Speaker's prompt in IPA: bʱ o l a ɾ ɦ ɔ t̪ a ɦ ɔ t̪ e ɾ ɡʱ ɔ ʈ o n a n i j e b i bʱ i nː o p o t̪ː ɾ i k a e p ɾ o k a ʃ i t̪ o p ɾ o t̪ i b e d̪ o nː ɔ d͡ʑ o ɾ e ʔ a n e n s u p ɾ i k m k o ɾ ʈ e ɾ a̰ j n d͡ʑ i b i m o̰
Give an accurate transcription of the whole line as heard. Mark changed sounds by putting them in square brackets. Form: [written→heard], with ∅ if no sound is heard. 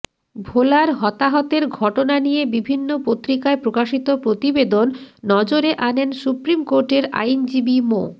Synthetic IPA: bʱ o l a ɾ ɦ ɔ t̪ a ɦ ɔ t̪ e ɾ ɡʱ ɔ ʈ o n a n i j e b i bʱ i nː o p o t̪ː ɾ i k a e p ɾ o k a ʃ i t̪ o p ɾ o t̪ i b e d̪ o nː ɔ d͡ʑ o ɾ e ʔ a n e n s u p ɾ i [k→∅] m k o ɾ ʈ e ɾ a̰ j n d͡ʑ i b i m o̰

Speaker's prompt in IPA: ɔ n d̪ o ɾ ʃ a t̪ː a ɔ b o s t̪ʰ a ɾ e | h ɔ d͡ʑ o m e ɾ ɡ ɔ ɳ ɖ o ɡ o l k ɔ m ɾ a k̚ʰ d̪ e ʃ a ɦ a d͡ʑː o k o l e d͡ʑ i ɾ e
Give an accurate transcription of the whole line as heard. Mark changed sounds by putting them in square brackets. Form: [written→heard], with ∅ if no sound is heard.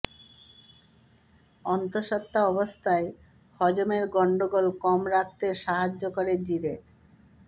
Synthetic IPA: ɔ n [d̪→t̪] o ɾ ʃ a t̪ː a ɔ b o s t̪ʰ a [ɾ→∅] e | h ɔ d͡ʑ o m e ɾ ɡ ɔ ɳ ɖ o ɡ o l k ɔ m ɾ a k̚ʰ [d̪→t̪] e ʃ a ɦ a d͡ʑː o k o [l→ɾ] e d͡ʑ i ɾ e

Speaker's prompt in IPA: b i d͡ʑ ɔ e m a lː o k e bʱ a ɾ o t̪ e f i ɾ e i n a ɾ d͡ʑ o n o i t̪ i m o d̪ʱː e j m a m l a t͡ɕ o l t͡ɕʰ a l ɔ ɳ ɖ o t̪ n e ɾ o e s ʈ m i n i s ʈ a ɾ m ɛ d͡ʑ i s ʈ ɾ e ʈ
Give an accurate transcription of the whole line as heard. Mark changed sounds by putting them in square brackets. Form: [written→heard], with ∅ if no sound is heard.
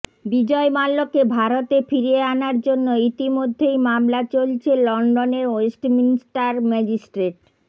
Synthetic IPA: b i d͡ʑ ɔ e m a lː o k e bʱ a ɾ o t̪ e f i ɾ e [i→a] n a ɾ d͡ʑ o [n→nː] o i t̪ i m o d̪ʱː e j m a m l a t͡ɕ o l t͡ɕʰ [a→e] l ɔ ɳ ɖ o [t̪→∅] n e ɾ o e s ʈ m i n i s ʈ a ɾ m ɛ d͡ʑ i s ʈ ɾ e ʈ

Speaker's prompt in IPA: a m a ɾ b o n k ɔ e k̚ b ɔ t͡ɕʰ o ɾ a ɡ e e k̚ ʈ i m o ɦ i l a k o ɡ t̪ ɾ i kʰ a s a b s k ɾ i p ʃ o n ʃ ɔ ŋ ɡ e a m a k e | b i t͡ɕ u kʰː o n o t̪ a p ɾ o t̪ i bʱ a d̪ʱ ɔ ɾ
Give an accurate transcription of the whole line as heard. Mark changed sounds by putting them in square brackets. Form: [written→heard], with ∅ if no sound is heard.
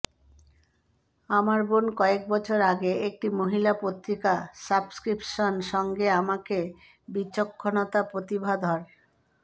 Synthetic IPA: a m a ɾ b o n k ɔ e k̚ b ɔ t͡ɕʰ o ɾ a ɡ e e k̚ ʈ i m o ɦ i l a [k→p] o [ɡ→∅] t̪ ɾ i [kʰ→k] a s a b s k ɾ i p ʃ o n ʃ ɔ ŋ ɡ e a m a k e | b i t͡ɕ [u→o] kʰː o n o t̪ a p ɾ o t̪ i bʱ a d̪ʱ ɔ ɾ

